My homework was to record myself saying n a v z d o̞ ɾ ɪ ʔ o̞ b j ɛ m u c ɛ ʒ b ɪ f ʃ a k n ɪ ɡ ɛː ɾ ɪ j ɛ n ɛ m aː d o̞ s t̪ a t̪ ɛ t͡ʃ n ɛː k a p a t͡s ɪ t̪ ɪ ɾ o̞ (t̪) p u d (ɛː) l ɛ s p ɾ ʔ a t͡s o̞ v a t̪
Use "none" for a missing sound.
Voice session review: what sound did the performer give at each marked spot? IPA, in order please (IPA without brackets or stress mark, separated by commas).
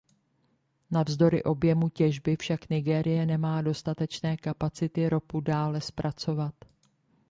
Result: none, aː